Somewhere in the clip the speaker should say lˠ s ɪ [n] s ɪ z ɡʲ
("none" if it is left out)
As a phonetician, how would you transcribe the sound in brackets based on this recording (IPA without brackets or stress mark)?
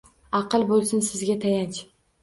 n